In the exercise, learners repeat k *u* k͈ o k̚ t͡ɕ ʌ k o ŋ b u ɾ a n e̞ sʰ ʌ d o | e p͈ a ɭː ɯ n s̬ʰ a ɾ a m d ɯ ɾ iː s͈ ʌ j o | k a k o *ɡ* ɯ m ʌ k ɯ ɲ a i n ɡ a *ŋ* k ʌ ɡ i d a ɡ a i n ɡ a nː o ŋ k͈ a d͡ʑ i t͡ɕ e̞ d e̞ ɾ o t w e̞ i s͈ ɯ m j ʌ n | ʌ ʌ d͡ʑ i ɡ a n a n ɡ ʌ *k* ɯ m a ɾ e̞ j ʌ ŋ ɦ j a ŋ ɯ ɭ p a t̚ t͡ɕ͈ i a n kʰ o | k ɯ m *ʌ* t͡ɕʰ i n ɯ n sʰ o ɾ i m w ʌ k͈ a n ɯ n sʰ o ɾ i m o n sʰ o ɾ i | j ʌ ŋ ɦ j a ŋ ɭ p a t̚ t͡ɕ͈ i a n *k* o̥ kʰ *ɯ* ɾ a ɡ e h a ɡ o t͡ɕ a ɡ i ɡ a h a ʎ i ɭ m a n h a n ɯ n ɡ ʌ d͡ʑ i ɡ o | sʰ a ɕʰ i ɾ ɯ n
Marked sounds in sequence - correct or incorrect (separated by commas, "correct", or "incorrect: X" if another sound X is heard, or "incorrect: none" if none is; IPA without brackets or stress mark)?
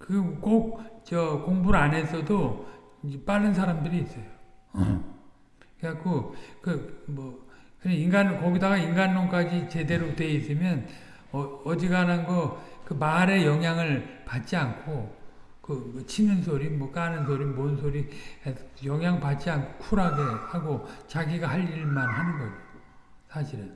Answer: incorrect: ɯ, incorrect: k, incorrect: n, correct, correct, incorrect: kʰ, incorrect: u